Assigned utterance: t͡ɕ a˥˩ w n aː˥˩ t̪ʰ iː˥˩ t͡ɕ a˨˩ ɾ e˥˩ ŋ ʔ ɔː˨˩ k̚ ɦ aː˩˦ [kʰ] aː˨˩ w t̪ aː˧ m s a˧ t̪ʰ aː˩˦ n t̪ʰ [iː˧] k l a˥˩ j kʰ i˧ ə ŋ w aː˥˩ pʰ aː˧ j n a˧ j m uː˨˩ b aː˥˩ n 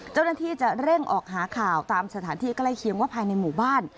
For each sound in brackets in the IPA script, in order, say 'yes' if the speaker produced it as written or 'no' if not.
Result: yes, no

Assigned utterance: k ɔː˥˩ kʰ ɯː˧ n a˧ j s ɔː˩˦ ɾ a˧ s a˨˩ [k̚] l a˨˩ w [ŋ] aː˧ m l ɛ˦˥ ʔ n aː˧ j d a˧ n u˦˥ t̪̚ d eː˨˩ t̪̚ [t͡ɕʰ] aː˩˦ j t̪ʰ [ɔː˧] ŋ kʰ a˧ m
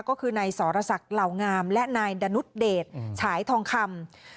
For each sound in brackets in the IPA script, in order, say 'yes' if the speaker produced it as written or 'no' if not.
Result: yes, yes, yes, yes

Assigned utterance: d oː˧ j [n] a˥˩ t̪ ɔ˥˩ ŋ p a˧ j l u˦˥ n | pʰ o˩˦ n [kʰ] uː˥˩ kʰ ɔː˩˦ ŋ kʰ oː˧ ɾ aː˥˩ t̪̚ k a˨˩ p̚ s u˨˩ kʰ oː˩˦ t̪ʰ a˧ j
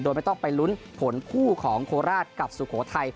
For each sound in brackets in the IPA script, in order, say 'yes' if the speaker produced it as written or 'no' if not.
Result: no, yes

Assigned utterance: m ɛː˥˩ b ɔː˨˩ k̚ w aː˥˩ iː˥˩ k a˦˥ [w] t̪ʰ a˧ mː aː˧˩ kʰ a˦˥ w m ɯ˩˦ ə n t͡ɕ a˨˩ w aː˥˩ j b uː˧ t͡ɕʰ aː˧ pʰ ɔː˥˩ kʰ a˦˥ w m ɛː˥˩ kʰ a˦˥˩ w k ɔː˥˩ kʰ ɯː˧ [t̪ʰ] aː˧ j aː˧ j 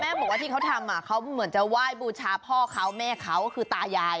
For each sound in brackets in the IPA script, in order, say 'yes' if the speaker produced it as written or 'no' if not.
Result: yes, no

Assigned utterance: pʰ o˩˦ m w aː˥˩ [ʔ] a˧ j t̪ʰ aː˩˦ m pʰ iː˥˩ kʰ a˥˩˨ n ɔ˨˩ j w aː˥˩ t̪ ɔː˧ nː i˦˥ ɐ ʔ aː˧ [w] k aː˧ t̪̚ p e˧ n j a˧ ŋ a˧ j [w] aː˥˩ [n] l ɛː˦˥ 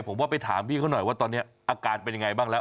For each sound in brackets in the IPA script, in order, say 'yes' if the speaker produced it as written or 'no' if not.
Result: no, no, no, no

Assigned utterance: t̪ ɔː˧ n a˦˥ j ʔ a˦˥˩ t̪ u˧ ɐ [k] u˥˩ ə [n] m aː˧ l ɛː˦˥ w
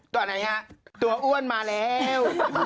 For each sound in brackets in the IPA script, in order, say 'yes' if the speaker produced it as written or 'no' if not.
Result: no, yes

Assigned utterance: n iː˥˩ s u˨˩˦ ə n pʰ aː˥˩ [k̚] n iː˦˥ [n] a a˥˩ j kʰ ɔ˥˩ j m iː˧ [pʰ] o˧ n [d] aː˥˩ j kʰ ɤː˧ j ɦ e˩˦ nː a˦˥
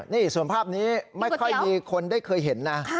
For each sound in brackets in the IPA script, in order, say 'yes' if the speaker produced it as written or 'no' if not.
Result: no, no, no, yes

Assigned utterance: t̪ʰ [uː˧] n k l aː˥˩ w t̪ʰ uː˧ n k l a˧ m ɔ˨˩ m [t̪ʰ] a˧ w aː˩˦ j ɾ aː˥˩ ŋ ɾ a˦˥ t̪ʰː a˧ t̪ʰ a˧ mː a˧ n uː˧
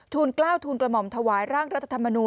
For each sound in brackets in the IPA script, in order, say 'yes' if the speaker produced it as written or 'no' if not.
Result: yes, yes

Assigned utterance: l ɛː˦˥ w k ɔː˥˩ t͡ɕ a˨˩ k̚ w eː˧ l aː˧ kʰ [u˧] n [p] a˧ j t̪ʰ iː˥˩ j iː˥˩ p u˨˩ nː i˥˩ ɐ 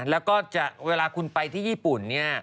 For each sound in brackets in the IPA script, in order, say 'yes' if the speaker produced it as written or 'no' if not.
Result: yes, yes

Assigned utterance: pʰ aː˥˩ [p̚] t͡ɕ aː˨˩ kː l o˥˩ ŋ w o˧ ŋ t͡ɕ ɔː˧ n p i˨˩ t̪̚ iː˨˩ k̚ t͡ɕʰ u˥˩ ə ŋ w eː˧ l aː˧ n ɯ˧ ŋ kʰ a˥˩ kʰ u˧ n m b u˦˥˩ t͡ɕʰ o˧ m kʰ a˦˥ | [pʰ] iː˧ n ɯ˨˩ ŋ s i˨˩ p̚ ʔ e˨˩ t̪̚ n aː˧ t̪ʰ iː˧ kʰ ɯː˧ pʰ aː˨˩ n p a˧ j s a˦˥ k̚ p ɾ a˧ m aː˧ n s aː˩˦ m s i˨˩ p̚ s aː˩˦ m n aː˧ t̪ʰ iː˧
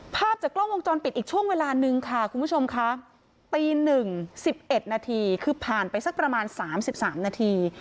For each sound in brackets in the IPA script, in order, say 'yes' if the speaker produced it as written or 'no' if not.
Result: yes, no

